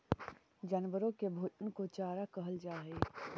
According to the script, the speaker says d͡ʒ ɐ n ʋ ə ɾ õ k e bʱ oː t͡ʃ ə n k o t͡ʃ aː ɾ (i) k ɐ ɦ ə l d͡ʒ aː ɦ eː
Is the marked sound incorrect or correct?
incorrect